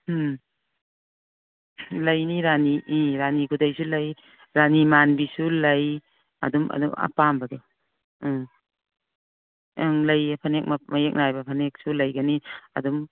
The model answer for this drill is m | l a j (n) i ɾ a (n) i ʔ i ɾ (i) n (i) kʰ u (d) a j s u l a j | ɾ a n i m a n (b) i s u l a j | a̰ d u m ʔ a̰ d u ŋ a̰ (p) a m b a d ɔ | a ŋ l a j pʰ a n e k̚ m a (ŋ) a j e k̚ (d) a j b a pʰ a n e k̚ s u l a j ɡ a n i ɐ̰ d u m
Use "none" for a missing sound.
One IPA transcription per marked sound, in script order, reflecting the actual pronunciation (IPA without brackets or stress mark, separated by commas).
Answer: n, n, a, i, d, b, p, m, n